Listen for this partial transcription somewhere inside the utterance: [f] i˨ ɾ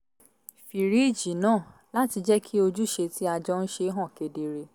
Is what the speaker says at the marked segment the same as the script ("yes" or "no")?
yes